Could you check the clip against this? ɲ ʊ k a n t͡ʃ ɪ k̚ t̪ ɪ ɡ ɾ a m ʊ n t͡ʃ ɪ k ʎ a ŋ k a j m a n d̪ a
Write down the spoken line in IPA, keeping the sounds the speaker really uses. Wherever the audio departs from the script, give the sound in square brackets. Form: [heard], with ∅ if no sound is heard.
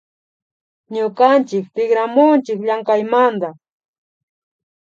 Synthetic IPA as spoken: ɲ ʊ k a n t͡ʃ ɪ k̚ t̪ ɪ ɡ ɾ a m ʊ n t͡ʃ ɪ k ʎ a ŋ k a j m a n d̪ a